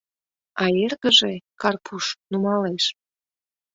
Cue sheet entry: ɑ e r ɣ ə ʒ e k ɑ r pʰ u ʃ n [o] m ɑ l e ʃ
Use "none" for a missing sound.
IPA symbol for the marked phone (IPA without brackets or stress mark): u